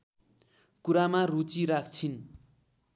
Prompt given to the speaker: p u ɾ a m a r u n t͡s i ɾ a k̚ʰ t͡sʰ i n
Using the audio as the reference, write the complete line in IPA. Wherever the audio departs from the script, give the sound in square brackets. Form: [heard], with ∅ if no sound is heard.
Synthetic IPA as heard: [k] u ɾ a m a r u [∅] t͡s i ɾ a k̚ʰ t͡sʰ i n